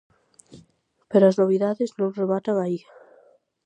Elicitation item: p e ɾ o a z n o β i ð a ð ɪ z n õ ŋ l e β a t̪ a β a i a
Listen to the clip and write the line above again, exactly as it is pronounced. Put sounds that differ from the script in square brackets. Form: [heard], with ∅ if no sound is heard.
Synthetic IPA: p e ɾ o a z n o β i ð a ð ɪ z n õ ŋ [r] e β a t̪ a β a i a